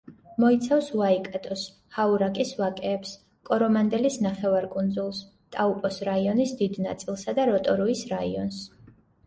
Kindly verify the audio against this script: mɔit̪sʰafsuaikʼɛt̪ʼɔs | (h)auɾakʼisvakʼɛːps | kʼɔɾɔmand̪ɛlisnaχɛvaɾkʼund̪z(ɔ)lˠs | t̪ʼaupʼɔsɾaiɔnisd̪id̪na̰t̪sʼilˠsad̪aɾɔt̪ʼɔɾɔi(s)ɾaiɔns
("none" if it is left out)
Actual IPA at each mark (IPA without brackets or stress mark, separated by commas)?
h, u, s